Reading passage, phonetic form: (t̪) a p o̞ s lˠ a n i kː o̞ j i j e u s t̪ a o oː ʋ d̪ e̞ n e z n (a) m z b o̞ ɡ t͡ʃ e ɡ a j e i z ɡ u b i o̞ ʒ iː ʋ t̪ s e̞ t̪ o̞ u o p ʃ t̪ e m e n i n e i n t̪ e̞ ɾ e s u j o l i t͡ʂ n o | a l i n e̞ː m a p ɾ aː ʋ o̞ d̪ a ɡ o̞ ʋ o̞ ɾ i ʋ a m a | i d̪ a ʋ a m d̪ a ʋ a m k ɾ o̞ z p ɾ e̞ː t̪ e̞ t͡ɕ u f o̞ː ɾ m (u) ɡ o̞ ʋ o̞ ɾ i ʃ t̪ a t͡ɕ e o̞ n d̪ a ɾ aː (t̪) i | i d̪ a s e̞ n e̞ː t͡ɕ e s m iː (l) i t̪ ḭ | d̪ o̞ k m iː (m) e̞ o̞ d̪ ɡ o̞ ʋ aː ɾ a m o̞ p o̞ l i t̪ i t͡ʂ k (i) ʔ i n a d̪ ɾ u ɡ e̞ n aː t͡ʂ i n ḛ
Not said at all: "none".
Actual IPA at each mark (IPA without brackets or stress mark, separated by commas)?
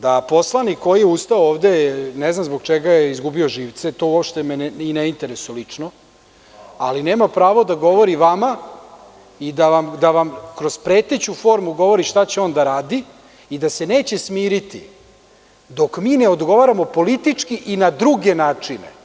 d̪, a, u, d̪, ɾ, n, i